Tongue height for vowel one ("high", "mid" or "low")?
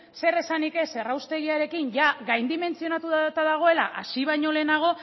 mid